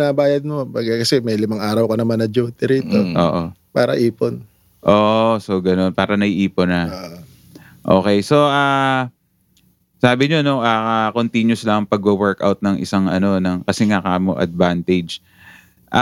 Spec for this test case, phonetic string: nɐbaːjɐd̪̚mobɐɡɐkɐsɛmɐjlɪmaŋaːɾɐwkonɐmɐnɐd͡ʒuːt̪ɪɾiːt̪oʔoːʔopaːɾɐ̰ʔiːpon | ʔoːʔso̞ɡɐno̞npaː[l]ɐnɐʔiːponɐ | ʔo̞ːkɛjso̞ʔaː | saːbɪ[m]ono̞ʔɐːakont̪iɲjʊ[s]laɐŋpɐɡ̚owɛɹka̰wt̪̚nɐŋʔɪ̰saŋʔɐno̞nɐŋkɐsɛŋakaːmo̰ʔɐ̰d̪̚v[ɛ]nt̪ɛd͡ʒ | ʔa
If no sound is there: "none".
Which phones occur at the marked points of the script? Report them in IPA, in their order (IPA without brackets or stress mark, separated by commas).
ɾ, ɲ, s, a